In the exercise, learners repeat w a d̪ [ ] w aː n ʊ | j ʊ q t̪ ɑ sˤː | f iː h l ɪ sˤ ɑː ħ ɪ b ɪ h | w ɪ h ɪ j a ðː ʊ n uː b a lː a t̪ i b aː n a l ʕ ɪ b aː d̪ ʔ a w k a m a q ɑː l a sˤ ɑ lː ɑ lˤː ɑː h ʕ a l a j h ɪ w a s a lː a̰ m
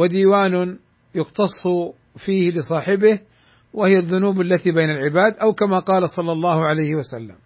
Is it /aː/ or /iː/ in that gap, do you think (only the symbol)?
iː